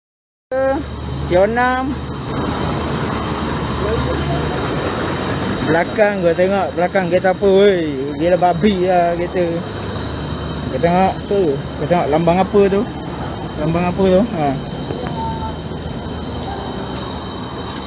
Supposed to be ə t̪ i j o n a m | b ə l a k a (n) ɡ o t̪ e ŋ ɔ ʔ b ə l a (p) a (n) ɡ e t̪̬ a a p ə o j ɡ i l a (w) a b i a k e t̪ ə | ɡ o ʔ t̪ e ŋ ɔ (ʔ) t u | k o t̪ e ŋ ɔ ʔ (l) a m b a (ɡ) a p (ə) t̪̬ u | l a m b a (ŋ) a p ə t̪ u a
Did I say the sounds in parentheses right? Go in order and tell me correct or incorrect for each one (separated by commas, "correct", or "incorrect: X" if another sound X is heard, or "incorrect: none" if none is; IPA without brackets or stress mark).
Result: incorrect: ŋ, incorrect: k, incorrect: ŋ, incorrect: b, correct, correct, incorrect: ŋ, correct, correct